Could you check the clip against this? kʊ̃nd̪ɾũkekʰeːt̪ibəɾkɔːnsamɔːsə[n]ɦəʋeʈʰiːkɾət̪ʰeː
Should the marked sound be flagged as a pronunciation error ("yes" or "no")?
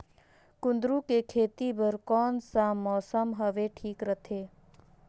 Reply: yes